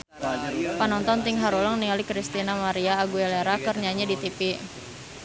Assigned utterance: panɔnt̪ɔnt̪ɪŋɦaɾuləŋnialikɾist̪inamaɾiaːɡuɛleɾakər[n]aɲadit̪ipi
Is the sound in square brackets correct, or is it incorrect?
incorrect: ɲ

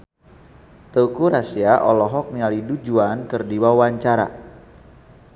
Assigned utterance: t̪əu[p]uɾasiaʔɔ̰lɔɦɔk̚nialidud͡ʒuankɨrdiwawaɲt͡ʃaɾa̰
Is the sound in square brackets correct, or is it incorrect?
incorrect: k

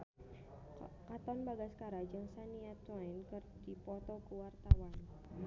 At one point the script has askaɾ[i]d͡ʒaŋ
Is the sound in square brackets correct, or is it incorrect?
incorrect: a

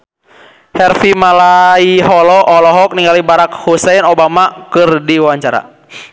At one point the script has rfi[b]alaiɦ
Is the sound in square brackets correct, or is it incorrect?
incorrect: m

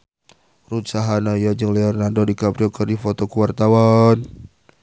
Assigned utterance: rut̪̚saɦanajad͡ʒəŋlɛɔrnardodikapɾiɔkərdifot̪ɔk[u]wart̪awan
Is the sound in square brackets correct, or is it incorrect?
correct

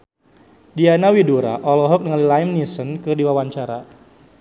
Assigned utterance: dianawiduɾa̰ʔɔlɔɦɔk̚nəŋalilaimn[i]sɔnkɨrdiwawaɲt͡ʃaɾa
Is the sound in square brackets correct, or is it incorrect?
correct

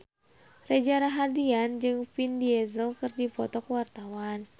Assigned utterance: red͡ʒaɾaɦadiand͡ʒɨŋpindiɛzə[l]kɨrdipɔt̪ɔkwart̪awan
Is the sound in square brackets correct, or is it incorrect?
correct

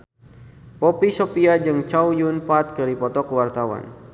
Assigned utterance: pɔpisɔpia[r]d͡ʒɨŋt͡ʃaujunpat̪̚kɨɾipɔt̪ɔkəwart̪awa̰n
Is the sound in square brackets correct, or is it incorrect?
incorrect: none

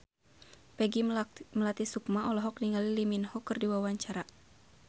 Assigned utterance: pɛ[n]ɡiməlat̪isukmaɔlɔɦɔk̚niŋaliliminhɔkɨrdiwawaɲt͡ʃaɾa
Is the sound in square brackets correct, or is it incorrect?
incorrect: none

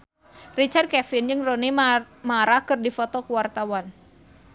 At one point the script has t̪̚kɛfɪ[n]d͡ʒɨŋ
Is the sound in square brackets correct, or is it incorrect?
correct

